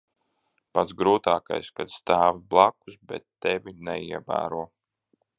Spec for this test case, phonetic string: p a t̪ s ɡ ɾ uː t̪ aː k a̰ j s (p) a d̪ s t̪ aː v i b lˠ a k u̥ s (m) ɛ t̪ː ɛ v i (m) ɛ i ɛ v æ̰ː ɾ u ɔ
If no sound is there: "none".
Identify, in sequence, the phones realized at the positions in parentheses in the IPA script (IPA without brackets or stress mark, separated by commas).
k, b, n